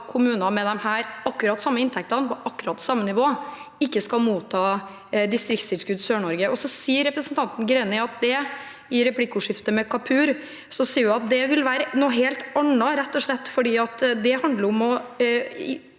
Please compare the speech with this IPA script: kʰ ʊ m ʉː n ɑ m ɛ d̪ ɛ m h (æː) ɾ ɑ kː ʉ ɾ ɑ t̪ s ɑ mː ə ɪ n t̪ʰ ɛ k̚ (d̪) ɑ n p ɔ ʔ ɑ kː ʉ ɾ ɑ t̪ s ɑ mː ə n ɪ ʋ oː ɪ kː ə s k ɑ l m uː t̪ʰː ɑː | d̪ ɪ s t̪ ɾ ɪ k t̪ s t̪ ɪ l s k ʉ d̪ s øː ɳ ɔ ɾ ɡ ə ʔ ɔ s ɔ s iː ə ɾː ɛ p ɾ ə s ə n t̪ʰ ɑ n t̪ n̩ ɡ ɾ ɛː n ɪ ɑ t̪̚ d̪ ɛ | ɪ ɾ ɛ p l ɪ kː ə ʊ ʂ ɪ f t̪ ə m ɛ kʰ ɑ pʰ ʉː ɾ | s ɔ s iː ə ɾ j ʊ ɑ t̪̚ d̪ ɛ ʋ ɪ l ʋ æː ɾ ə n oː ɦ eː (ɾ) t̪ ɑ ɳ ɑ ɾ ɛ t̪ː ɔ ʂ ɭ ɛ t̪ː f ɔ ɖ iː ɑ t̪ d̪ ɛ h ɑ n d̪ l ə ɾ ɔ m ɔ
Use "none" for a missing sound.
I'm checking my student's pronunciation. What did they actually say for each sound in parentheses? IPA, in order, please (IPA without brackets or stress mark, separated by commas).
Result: æː, t̪, l